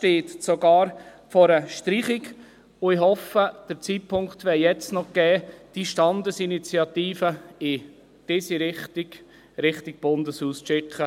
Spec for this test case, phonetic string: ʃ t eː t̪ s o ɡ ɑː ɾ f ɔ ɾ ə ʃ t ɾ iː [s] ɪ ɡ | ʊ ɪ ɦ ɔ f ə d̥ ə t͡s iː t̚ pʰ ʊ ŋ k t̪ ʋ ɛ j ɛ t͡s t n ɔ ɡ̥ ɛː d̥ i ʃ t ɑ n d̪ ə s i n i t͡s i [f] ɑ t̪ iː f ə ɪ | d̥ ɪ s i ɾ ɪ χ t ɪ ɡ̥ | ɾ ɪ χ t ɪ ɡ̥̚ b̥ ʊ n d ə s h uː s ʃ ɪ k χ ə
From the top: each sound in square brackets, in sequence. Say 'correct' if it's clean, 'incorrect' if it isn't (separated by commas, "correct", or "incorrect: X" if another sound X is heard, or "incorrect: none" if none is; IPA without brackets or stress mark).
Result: incorrect: χ, incorrect: none